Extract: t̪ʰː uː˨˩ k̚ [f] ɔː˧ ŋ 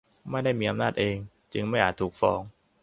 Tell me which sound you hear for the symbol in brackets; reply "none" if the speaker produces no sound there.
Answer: f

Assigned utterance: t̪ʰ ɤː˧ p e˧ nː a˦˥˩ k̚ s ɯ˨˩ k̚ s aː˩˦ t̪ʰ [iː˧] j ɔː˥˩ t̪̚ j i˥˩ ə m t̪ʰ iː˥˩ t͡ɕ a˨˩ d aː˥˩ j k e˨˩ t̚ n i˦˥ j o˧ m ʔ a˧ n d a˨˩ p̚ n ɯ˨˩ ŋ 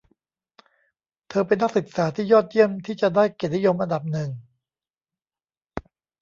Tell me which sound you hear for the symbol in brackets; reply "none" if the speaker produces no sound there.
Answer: iː˥˩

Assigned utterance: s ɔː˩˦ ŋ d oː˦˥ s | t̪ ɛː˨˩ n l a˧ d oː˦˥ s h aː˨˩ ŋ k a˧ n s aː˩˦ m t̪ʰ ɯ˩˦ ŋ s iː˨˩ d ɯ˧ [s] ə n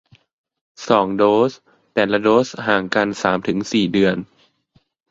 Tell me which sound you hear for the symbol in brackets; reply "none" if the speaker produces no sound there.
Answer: none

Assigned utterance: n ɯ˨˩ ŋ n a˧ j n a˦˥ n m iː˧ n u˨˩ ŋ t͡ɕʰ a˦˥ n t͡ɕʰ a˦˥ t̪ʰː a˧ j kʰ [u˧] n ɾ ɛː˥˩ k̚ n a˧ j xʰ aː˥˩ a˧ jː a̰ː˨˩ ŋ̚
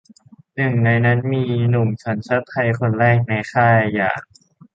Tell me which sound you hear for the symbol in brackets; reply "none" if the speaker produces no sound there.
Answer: o˧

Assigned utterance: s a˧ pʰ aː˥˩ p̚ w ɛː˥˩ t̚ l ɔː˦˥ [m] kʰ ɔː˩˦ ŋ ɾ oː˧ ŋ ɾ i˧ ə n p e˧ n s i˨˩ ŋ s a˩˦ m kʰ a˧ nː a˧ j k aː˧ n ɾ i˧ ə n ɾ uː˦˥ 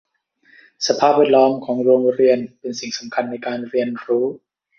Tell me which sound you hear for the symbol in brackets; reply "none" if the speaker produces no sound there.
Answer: m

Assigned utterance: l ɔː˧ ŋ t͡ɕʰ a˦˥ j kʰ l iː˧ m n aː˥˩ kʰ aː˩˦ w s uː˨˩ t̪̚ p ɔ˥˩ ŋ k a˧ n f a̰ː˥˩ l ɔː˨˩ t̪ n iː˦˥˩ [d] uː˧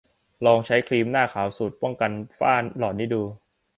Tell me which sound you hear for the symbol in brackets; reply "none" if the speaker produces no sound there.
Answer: d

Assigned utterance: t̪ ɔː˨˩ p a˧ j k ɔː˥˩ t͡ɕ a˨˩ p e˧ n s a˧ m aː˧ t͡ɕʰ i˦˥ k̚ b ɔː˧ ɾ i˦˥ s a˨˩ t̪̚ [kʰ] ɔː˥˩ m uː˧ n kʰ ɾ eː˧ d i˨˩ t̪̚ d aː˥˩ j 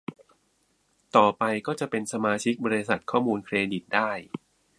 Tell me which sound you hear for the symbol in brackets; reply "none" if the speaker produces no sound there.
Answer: kʰ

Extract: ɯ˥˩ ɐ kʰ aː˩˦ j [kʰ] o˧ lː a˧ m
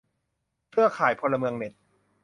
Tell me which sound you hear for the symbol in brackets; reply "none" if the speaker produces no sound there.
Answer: pʰ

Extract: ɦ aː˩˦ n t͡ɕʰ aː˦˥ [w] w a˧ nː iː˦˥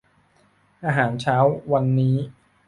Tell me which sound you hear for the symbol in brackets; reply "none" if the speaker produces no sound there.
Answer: w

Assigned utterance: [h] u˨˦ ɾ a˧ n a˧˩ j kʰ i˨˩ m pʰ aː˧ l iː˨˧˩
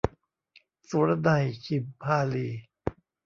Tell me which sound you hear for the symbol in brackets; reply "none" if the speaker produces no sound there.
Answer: s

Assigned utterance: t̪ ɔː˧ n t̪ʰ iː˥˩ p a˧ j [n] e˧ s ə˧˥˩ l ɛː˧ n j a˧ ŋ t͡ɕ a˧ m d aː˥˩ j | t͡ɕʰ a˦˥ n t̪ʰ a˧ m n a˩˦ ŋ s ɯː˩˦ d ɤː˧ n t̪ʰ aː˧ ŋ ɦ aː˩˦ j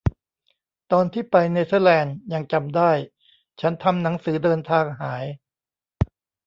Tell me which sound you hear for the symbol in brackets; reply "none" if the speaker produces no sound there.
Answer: n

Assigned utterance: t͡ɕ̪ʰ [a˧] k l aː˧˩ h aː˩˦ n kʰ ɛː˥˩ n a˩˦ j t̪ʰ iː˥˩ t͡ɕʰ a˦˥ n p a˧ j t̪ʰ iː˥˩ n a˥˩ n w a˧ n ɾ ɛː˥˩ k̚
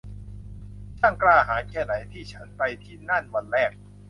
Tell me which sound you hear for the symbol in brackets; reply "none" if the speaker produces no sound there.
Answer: a˥˩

